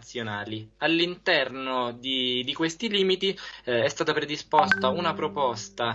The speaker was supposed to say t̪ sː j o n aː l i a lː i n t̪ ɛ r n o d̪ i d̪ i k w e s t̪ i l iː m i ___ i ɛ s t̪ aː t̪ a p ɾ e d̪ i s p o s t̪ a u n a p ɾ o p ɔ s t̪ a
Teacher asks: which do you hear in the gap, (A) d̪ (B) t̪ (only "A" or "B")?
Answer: B